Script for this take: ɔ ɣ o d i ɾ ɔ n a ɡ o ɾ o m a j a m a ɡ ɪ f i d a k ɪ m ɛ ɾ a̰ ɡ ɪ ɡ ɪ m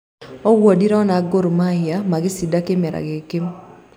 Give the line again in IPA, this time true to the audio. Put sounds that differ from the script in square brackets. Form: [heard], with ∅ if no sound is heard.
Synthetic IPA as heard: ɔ [w] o d i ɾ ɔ n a ɡ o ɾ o m a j a m a ɡ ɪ [s] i d a k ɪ m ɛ ɾ a̰ ɡ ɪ [k] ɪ m